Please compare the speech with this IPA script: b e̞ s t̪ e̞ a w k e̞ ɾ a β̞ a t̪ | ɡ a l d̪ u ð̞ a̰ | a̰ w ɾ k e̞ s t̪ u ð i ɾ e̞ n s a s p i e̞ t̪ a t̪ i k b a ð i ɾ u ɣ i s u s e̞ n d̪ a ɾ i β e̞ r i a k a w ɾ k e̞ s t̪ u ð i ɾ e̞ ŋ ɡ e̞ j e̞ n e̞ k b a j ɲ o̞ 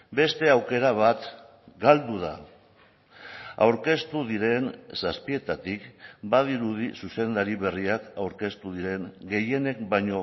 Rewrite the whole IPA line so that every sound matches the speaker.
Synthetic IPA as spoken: b e̞ s t̪ e̞ a w k e̞ ɾ a β̞ a t̪ | ɡ a l d̪ u ð̞ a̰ | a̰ w ɾ k e̞ s t̪ u ð i ɾ e̞ n s a s p i e̞ t̪ a t̪ i k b a ð i ɾ u ð i s u s e̞ n d̪ a ɾ i β e̞ r i a k a w ɾ k e̞ s t̪ u ð i ɾ e̞ ŋ ɡ e̞ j e̞ n e̞ k b a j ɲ o̞